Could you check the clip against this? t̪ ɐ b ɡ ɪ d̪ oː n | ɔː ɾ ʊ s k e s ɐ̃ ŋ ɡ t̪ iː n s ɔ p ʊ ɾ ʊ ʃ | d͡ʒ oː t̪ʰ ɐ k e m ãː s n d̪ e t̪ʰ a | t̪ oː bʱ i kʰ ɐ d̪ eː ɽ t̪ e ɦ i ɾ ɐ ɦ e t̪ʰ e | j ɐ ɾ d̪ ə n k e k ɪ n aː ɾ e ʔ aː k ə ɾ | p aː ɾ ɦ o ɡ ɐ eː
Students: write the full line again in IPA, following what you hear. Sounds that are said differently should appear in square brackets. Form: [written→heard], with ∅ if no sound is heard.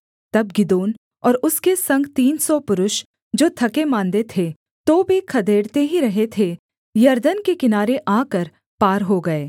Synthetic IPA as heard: t̪ ɐ b ɡ ɪ d̪ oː n | ɔː ɾ ʊ s k e s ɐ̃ ŋ ɡ t̪ iː n s ɔ p ʊ ɾ ʊ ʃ | d͡ʒ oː t̪ʰ ɐ k e m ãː [s→∅] n d̪ e t̪ʰ [a→e] | t̪ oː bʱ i kʰ ɐ d̪ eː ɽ t̪ e ɦ i ɾ ɐ ɦ e t̪ʰ e | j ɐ ɾ d̪ ə n k e k ɪ n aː ɾ e ʔ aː k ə ɾ | p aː ɾ ɦ o ɡ ɐ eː